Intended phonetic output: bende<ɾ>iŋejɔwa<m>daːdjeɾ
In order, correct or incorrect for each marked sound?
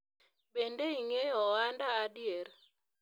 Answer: incorrect: none, incorrect: n

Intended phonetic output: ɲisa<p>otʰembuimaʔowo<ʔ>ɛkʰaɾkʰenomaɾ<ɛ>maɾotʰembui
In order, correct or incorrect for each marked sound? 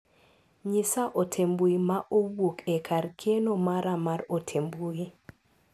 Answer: incorrect: ʔ, incorrect: k, incorrect: a

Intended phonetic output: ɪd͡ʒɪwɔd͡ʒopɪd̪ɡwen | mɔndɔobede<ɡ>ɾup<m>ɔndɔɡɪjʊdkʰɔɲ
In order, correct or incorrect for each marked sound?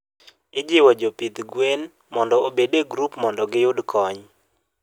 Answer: correct, correct

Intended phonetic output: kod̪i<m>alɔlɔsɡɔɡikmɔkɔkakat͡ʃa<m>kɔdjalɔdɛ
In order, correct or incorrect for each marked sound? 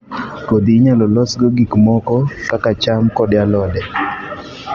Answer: incorrect: ɲ, correct

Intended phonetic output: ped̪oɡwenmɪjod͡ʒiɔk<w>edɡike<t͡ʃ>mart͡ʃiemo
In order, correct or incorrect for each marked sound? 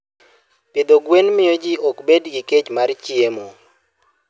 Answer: incorrect: b, correct

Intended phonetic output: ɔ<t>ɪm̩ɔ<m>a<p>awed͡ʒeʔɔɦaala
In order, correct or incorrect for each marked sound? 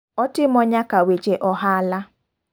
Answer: correct, incorrect: ɲ, incorrect: k

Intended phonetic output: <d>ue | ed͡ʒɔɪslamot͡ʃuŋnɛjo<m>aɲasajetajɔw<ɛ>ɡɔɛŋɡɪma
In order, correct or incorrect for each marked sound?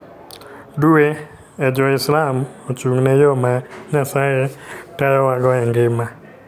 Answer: correct, correct, incorrect: a

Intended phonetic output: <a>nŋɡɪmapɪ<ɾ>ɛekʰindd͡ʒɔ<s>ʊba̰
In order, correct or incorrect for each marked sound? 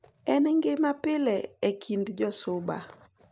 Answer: incorrect: ɛ, incorrect: l, correct

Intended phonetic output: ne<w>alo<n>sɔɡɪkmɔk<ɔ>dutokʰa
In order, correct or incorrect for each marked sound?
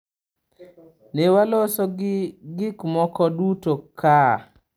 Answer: correct, incorrect: none, correct

